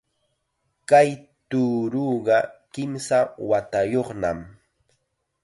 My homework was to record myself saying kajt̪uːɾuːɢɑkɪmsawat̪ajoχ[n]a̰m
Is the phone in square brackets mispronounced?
no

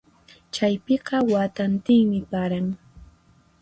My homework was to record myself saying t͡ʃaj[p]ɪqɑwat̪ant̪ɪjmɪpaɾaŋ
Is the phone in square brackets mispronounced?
no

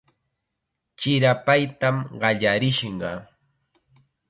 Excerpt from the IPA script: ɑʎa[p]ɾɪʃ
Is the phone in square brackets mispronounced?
yes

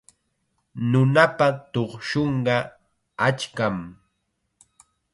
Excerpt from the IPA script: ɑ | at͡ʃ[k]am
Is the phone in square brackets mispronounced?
no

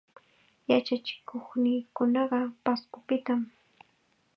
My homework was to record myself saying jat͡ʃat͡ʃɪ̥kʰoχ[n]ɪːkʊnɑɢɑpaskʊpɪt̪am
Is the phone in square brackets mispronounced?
no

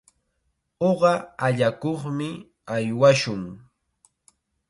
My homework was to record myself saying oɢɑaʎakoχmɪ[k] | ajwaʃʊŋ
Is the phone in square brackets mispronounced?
yes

